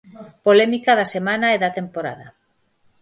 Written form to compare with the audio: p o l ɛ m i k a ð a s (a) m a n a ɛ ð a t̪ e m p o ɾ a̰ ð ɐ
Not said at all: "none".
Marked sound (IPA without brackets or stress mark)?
e